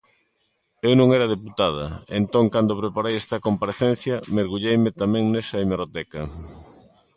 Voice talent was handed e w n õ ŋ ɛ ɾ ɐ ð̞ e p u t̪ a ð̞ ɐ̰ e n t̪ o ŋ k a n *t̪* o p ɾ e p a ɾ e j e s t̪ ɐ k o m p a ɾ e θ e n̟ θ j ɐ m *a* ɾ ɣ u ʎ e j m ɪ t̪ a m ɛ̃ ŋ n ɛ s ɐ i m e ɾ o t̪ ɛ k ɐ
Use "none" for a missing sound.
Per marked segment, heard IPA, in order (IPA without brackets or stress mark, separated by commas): d̪, e